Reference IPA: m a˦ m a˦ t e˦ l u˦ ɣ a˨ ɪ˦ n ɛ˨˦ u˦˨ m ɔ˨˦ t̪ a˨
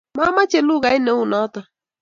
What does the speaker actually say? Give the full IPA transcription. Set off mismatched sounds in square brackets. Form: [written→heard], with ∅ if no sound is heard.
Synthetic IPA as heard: m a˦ m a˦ [t→t͡ʃ] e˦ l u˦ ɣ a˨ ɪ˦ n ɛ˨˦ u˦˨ [m→n] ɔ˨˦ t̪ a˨

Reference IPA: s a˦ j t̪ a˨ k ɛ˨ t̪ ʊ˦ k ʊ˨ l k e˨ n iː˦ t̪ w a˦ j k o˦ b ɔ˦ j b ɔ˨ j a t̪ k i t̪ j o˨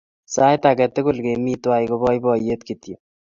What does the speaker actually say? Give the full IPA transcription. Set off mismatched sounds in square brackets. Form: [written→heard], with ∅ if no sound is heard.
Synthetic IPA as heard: s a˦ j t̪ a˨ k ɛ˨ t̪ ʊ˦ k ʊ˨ l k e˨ [n→m] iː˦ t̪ w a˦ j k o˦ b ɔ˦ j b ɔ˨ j [a→e] t̪ k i t̪ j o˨

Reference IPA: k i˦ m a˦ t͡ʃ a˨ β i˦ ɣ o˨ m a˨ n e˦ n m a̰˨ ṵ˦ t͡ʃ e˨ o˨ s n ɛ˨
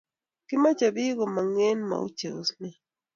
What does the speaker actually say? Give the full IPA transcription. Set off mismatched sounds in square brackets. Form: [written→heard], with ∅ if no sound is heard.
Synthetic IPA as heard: k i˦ m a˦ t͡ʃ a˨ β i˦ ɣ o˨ m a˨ [n→ŋ] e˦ n m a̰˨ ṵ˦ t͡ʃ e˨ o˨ s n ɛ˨

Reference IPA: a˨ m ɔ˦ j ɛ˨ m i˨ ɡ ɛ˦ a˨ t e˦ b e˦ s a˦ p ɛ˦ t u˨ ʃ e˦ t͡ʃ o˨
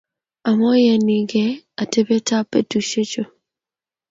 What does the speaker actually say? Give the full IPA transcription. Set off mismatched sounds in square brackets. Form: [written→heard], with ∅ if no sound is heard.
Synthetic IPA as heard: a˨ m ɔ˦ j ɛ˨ [m→n] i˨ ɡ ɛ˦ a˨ t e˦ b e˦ [s→t] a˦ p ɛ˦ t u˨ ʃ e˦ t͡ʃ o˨

